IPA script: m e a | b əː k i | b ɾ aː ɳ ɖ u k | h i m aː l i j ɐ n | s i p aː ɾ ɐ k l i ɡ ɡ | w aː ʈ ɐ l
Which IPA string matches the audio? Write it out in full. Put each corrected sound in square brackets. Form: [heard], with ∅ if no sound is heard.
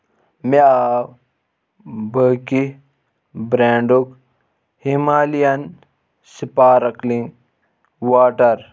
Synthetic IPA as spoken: m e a | b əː k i | b ɾ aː ɳ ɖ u k | h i m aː l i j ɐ n | s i p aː ɾ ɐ k l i [ŋ] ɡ | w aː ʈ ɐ [ɾ]